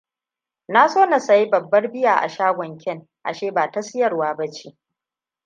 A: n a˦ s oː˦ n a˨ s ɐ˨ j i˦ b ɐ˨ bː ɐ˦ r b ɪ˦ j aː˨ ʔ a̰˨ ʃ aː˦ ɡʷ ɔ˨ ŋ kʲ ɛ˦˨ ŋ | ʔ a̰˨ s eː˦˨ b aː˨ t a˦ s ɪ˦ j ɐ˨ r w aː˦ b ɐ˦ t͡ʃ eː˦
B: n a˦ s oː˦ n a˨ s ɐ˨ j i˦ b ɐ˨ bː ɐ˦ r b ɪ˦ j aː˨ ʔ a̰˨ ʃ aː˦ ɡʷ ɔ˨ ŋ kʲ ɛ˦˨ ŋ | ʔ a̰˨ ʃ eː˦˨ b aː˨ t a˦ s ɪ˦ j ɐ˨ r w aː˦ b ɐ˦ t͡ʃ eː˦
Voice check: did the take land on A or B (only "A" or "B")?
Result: B